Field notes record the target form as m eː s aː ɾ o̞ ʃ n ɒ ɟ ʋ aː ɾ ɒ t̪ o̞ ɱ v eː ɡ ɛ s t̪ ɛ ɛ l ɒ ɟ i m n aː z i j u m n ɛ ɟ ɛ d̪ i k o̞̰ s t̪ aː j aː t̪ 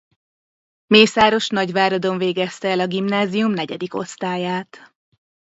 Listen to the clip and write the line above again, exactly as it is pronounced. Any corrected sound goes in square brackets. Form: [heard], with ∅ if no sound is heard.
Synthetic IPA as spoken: m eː s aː ɾ o̞ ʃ n ɒ ɟ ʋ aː ɾ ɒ [d̪] o̞ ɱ v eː ɡ ɛ s t̪ ɛ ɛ l ɒ [ɡ] i m n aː z i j u m n ɛ ɟ ɛ d̪ i k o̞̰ s t̪ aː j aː t̪

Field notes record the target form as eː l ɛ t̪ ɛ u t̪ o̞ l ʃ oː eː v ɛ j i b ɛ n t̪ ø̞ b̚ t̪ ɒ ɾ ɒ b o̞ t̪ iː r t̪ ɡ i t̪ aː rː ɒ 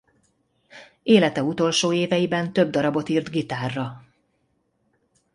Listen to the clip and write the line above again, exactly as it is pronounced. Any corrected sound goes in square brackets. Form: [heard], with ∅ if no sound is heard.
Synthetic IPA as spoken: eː l ɛ t̪ ɛ u t̪ o̞ l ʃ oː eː v ɛ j i b ɛ n t̪ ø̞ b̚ [d̪] ɒ ɾ ɒ b o̞ t̪ iː r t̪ ɡ i t̪ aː rː ɒ

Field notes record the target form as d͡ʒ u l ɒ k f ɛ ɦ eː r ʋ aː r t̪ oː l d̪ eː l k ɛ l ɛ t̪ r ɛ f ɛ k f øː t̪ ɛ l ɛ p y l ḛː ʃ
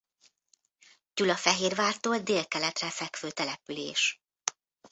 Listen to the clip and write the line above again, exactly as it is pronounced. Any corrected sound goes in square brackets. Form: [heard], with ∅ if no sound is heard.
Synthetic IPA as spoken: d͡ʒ u l ɒ [∅] f ɛ ɦ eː r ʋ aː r t̪ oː l d̪ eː l k ɛ l ɛ t̪ r ɛ f ɛ k f øː t̪ ɛ l ɛ p y l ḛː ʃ

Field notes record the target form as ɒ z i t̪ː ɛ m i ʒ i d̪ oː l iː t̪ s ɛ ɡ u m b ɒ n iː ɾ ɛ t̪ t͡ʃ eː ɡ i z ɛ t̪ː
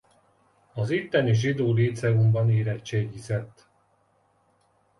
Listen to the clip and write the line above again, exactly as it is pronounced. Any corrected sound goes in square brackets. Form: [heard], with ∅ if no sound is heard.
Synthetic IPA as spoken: ɒ z i t̪ː ɛ [n] i ʒ i d̪ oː l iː t̪ s ɛ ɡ u m b ɒ n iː ɾ ɛ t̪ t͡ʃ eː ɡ i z ɛ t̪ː

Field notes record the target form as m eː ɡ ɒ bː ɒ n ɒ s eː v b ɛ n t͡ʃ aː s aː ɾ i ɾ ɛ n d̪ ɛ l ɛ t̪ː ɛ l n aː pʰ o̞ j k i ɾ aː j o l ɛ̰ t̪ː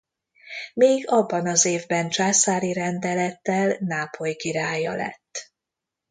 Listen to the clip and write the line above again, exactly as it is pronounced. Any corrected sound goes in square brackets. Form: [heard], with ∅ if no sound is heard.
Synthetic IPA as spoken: m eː ɡ ɒ bː ɒ n ɒ [z] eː v b ɛ n t͡ʃ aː s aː ɾ i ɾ ɛ n d̪ ɛ l ɛ t̪ː ɛ l n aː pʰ o̞ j k i ɾ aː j [ɒ] l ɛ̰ t̪ː

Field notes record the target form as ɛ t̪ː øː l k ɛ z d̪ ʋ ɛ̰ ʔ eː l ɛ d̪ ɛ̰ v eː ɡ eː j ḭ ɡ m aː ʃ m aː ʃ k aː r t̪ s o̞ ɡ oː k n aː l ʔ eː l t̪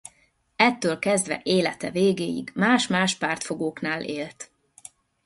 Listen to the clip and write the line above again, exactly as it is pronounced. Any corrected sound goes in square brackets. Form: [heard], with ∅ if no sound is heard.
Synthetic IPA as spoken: ɛ t̪ː øː l k ɛ z d̪ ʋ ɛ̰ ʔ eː l ɛ [t̪] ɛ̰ v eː ɡ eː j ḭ ɡ m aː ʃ m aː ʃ [p] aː r t̪ [f] o̞ ɡ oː k n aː l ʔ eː l t̪

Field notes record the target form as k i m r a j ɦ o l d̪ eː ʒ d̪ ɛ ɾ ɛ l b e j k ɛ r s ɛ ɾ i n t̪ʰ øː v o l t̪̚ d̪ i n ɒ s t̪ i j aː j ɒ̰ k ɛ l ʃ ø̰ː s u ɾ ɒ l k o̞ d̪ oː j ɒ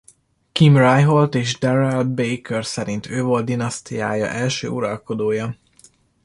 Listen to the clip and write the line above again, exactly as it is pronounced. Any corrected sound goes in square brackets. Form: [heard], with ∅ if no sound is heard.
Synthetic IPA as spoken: k i m r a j ɦ o l [t̪] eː ʒ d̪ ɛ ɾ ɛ l b e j k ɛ r s ɛ ɾ i n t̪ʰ øː v o l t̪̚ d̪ i n ɒ s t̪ i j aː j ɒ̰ [ʔ] ɛ l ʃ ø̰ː [∅] u ɾ ɒ l k o̞ d̪ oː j ɒ

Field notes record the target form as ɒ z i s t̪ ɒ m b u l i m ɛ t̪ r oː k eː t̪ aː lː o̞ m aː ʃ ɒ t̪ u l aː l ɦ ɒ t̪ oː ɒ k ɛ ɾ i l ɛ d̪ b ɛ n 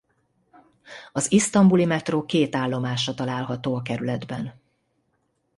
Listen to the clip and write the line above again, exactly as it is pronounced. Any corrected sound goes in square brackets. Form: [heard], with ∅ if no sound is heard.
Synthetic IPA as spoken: ɒ z i s t̪ ɒ m b u l i m ɛ t̪ r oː k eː t̪ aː lː o̞ m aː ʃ ɒ t̪ [ɒ] l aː l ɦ ɒ t̪ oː ɒ k ɛ ɾ [y] l ɛ d̪ b ɛ n

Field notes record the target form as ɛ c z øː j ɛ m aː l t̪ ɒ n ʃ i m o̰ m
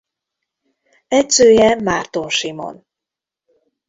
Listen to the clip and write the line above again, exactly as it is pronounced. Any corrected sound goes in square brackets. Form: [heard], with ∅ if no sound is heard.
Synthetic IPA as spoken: ɛ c [s] øː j ɛ m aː [r] t̪ [o] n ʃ i m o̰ [n]

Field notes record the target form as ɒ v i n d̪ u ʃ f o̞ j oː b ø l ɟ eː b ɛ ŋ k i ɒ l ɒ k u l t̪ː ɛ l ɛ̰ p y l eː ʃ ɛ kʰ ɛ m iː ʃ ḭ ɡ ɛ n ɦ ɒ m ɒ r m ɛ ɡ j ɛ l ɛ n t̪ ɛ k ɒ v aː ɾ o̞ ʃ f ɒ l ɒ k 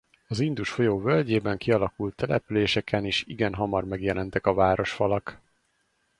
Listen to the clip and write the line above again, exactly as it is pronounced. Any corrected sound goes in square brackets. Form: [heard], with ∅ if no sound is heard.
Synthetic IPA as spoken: ɒ [z] i n d̪ u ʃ f o̞ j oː [v] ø l ɟ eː b ɛ ŋ k i ɒ l ɒ k u l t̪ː ɛ l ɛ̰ p y l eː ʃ ɛ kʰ ɛ [n] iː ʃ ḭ ɡ ɛ n ɦ ɒ m ɒ r m ɛ ɡ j ɛ l ɛ n t̪ ɛ k ɒ v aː ɾ o̞ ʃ f ɒ l ɒ k

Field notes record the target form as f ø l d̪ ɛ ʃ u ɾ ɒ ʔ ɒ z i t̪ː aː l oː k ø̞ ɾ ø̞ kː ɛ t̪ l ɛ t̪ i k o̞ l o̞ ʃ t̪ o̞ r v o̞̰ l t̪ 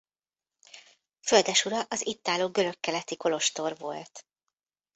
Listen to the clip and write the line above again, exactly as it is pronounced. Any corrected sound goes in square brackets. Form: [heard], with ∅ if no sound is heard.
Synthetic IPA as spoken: f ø l d̪ ɛ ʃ u ɾ ɒ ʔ ɒ z i t̪ː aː l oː [ɡ] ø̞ ɾ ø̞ kː ɛ [∅] l ɛ t̪ i k o̞ l o̞ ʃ t̪ o̞ r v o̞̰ l t̪

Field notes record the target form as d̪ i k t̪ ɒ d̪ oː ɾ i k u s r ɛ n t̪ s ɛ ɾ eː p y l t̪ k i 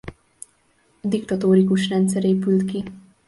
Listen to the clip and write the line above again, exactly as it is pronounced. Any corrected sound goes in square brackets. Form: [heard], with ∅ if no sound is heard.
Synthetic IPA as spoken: d̪ i k t̪ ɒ [t̪] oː ɾ i k u [ʃ] r ɛ n t̪ s ɛ ɾ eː p y l t̪ k i

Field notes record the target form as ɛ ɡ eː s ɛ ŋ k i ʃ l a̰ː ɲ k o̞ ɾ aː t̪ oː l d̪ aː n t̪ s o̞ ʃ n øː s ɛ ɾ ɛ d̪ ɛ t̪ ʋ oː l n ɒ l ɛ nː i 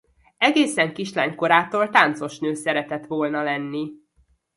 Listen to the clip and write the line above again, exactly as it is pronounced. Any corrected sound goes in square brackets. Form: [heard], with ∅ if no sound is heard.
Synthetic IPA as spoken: ɛ ɡ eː s ɛ ŋ k i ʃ l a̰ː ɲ k o̞ ɾ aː t̪ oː l [t̪] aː n t̪ s o̞ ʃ n øː s ɛ ɾ ɛ [t̪] ɛ t̪ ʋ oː l n ɒ l ɛ nː i

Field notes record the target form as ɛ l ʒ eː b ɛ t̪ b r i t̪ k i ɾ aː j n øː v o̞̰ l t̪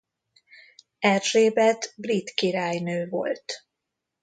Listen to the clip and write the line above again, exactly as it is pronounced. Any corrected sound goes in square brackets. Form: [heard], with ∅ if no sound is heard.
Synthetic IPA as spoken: ɛ [r] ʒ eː b ɛ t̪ b r i t̪ k i ɾ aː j n øː v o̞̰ l t̪

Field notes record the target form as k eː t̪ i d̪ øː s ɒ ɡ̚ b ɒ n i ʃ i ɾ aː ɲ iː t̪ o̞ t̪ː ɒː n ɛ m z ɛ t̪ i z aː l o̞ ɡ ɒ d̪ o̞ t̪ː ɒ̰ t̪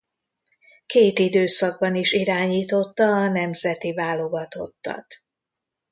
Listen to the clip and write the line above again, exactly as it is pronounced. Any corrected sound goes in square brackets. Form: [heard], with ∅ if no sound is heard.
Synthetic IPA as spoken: k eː t̪ i d̪ øː s ɒ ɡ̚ b ɒ n i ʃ i ɾ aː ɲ iː t̪ o̞ t̪ː ɒː n ɛ m z ɛ t̪ i [v] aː l o̞ ɡ ɒ [t̪] o̞ t̪ː ɒ̰ t̪

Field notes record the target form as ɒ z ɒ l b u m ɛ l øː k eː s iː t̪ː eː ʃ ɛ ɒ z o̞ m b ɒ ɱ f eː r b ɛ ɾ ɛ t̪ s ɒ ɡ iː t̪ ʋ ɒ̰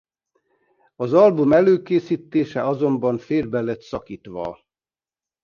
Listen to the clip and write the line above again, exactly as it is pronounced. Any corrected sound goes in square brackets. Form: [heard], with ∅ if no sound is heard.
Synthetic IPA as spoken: ɒ z ɒ l b u m ɛ l øː k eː s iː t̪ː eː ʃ ɛ ɒ z o̞ m b ɒ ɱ f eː r b ɛ [l] ɛ t̪ s ɒ [k] iː t̪ ʋ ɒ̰

